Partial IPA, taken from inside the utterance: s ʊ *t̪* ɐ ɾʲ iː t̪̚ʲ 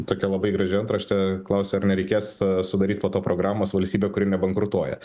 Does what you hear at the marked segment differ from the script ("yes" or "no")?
yes